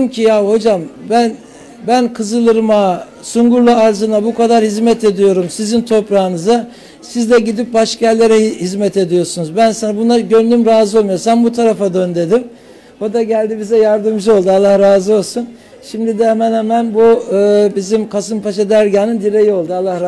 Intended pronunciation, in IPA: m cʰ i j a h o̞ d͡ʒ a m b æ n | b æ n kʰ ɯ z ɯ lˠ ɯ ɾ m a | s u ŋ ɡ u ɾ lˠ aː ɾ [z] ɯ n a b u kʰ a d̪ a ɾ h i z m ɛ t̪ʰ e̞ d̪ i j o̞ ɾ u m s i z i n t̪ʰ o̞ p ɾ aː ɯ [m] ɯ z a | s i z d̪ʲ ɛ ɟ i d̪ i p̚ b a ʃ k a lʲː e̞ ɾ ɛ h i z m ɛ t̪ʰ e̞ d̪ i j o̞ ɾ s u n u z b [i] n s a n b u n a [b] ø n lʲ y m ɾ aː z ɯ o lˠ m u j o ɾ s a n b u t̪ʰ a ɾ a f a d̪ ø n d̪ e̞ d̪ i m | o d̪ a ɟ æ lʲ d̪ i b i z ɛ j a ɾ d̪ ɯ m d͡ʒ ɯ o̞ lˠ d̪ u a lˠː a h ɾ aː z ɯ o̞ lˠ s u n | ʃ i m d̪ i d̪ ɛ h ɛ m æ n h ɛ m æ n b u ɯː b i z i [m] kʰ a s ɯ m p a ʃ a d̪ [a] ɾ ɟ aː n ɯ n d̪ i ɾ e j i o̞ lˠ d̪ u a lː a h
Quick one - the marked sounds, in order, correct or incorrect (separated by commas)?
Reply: correct, incorrect, incorrect, incorrect, correct, incorrect